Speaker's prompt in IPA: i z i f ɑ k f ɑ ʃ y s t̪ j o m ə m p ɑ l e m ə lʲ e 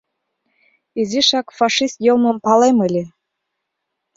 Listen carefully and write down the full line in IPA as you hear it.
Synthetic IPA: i z i ʃ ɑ k f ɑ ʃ i s t̪ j o m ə m p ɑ l e m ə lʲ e

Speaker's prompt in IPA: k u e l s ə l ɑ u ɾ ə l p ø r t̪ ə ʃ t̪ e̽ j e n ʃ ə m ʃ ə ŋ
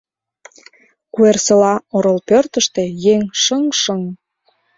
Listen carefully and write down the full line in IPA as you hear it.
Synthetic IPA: k u e r s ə l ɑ o ɾ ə l p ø r t̪ ə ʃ t̪ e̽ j e ŋ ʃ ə ŋ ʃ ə ŋ

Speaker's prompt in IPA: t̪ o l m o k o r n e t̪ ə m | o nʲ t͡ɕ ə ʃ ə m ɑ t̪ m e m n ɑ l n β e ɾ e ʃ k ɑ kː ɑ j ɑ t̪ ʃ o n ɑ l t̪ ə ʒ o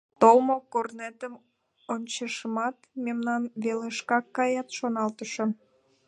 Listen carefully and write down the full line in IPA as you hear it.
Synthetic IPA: t̪ o l m o k o r n e t̪ ə m | o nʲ t͡ɕ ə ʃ ə m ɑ t̪ m e m n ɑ n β e l e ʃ k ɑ kː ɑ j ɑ t̪ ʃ o n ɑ l t̪ ə ʃ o

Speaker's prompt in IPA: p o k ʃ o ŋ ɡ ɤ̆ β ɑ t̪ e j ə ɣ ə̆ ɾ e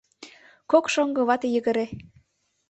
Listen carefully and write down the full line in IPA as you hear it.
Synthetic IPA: k o k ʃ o ŋ ɡ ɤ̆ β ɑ t̪ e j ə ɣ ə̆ ɾ e

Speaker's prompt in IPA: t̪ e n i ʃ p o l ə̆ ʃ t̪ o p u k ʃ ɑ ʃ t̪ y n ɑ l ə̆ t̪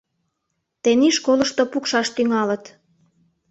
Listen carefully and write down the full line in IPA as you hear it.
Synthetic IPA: t̪ e n i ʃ k o l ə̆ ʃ t̪ o p u k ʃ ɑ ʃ t̪ y ŋ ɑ l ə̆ t̪

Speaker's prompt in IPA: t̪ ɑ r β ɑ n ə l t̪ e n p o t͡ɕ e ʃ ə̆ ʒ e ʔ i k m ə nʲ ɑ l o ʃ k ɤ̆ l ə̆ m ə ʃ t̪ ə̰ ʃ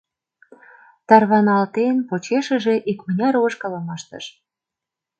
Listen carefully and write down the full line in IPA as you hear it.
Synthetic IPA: t̪ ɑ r β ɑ n ɑ l t̪ e n p o t͡ɕ e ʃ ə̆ ʒ e ʔ i k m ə nʲ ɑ ɾ o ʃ k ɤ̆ l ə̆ m ɑ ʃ t̪ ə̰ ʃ

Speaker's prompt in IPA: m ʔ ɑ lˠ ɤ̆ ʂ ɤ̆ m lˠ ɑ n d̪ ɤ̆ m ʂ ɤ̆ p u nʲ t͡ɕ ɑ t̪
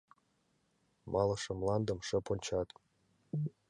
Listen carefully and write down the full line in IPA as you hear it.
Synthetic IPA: m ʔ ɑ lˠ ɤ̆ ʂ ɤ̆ m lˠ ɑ n d̪ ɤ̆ m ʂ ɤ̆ p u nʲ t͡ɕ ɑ t̪

